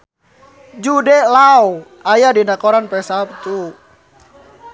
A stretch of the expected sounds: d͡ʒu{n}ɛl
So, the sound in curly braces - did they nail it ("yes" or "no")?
no